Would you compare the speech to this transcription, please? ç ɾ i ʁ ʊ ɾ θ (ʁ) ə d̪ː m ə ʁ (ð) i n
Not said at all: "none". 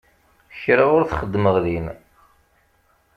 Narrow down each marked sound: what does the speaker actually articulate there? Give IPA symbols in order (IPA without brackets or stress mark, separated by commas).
χ, ð